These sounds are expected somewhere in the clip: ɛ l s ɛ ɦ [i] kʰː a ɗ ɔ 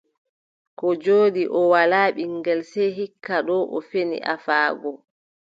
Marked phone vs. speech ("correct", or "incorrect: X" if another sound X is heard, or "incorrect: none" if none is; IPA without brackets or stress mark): correct